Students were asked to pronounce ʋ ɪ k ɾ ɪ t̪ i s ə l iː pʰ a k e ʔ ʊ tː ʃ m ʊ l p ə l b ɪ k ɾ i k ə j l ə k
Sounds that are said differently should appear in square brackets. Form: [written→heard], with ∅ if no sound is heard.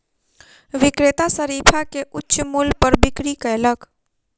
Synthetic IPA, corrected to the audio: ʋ ɪ k ɾ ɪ t̪ [i→a] s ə [l→ɾ] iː pʰ a k e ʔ ʊ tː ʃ m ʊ l p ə [l→ɾ] b ɪ k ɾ i k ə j l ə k

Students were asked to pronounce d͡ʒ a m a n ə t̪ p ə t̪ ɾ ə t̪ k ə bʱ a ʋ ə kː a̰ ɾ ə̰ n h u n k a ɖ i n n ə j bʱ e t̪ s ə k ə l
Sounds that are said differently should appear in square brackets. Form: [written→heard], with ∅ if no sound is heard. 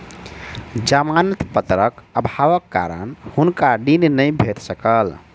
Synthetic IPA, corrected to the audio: d͡ʒ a m a n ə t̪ p ə t̪ ɾ ə [t̪→∅] k ə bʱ a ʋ ə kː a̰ ɾ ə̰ n h u n k a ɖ i n n ə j bʱ e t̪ s ə k ə l

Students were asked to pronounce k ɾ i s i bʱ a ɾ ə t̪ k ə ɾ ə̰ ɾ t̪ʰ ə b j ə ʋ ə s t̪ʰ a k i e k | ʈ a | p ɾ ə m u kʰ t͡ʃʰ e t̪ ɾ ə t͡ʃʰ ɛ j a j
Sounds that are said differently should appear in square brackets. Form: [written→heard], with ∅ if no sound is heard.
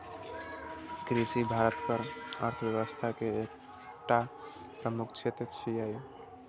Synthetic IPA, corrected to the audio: k ɾ i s i bʱ a ɾ ə t̪ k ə ɾ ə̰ ɾ t̪ʰ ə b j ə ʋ ə s t̪ʰ a k [i→e] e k | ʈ a | p ɾ ə m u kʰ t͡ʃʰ e t̪ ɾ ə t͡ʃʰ [ɛ→i] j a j

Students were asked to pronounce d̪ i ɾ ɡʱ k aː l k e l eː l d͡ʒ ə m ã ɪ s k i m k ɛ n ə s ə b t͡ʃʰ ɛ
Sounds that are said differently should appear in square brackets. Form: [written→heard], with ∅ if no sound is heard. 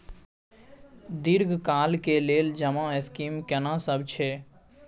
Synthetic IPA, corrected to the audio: d̪ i ɾ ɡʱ k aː l k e l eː l d͡ʒ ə m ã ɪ s k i m k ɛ n [ə→a] s ə b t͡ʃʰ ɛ

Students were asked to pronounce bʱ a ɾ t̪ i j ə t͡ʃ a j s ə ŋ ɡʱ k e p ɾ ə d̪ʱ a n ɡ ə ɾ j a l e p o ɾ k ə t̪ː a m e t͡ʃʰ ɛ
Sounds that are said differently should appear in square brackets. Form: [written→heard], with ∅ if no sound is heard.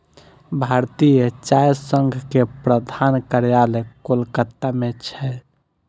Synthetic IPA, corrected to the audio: bʱ a ɾ t̪ i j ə t͡ʃ a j s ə ŋ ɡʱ k e p ɾ ə d̪ʱ a n [ɡ→k] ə ɾ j a l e [p→k] o [ɾ→l] k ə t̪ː a m e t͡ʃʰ ɛ

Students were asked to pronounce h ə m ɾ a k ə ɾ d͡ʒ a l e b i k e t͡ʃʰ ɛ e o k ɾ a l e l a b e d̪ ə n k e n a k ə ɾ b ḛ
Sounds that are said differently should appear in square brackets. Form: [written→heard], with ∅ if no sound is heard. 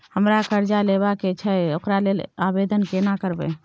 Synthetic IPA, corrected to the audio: h ə m ɾ a k ə ɾ d͡ʒ a l e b [i→a] k e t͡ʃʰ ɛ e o k ɾ a l e l a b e d̪ ə n k e n a k ə ɾ b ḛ

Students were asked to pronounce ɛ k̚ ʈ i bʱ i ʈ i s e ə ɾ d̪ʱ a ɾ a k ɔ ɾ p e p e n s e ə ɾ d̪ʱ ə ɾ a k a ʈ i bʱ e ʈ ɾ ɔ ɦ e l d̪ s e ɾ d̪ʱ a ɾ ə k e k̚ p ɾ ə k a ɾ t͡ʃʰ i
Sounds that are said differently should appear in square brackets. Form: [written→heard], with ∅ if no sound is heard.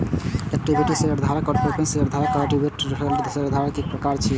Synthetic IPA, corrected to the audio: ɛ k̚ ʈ i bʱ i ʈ i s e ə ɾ d̪ʱ a ɾ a k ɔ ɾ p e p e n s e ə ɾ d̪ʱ [ə→a] ɾ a k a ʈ i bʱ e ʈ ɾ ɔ ɦ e l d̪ s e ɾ d̪ʱ a ɾ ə k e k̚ p ɾ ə k a ɾ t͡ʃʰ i

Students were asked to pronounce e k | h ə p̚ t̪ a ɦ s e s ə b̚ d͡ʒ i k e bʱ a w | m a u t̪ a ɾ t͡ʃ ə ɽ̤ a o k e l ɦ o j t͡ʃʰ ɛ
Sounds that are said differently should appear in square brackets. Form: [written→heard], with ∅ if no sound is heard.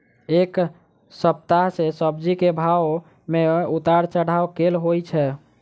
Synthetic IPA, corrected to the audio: e k | [h→s] ə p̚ t̪ a ɦ s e s ə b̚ d͡ʒ i k e bʱ a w | m [a→e] u t̪ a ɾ t͡ʃ ə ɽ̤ a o k e l ɦ o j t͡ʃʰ ɛ

